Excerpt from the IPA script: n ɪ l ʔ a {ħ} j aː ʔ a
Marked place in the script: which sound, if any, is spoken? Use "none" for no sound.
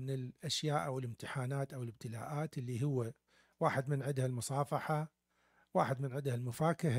ʃ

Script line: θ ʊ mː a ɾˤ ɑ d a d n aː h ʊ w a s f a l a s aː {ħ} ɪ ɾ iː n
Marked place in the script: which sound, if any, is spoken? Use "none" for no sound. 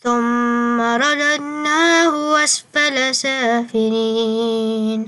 f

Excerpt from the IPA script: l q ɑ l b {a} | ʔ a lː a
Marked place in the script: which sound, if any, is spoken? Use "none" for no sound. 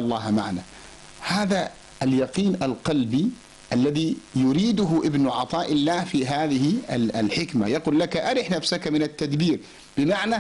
i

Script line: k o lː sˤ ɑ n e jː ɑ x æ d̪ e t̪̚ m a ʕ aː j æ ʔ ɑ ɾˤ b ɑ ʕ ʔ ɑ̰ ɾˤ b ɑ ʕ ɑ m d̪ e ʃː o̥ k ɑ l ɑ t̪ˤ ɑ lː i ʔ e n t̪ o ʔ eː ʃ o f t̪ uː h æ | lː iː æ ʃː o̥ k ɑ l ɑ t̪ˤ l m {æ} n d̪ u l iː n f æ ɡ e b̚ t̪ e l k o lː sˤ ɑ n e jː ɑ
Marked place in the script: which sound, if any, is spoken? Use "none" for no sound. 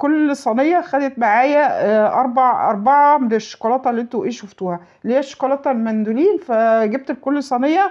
æ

